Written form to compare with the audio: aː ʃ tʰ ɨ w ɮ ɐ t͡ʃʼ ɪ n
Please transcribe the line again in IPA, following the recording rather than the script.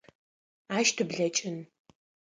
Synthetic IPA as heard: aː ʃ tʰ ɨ b ɮ ɐ t͡ʃʼ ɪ n